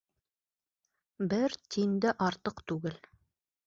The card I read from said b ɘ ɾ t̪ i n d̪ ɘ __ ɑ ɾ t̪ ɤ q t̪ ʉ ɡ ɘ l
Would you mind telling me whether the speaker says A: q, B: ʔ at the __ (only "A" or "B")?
B